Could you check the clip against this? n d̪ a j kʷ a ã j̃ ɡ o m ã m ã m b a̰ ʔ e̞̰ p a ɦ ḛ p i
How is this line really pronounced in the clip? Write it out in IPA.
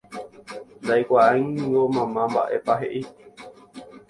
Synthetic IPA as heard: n d̪ a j kʷ a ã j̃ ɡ o m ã m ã m b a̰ ʔ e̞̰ p a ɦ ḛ ʔ i